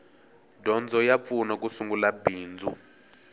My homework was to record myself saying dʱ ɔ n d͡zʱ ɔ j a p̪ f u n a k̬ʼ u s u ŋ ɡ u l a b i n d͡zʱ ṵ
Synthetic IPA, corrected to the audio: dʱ ɔ n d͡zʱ ɔ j a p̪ f u n a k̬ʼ u s u ŋ ɡ u l a b iː n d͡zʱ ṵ

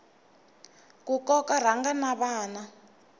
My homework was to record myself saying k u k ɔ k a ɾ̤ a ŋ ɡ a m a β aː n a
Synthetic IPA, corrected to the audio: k u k ɔ k a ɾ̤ a ŋ ɡ a n a β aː n a

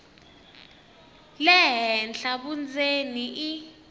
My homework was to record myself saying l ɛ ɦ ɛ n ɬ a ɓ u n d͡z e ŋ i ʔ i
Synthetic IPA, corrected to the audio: l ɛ ɦ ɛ n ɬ a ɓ u n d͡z e n i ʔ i

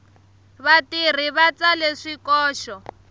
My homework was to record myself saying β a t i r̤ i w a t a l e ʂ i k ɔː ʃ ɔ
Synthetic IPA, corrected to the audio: β a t i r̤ i β a t͡s a l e ʂ i k ɔː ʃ ɔ

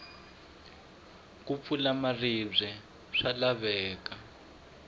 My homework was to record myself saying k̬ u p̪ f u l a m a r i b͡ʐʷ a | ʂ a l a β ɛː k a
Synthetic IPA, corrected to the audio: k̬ u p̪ f u l a m a r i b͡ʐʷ ɛ | ʂ a l a β ɛː k a

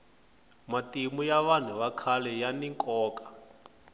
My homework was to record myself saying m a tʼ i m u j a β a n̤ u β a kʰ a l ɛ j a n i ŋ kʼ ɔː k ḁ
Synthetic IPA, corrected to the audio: m a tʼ i m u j a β a n̤ u β a kʰ a l ɛ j a n i ŋ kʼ ɔː k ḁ

